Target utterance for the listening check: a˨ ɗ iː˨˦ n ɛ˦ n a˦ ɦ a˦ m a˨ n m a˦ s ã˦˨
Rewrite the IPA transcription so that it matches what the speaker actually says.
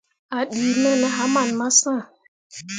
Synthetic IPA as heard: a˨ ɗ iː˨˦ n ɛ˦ n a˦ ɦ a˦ m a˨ n m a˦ s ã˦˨